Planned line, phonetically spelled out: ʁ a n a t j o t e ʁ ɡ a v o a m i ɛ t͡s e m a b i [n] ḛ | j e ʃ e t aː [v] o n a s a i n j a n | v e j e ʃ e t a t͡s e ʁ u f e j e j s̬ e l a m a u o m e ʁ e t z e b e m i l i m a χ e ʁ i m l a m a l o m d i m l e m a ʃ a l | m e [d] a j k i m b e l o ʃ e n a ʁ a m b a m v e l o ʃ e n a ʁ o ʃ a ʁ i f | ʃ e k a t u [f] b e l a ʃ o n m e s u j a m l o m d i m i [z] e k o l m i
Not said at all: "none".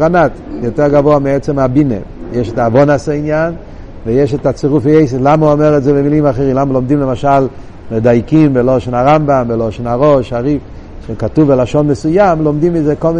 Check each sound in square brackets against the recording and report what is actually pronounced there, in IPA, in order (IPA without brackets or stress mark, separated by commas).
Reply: n, v, d, v, z